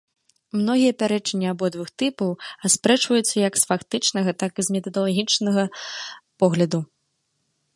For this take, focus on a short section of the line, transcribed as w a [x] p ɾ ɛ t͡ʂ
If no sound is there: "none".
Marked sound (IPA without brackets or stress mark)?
s